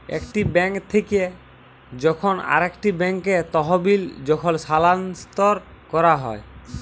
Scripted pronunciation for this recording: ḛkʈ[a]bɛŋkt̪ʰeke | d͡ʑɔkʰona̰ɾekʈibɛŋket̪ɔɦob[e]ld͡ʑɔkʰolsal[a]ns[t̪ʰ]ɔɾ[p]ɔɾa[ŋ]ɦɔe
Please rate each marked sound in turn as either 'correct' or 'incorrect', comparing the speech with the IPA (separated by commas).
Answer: incorrect, incorrect, correct, incorrect, incorrect, incorrect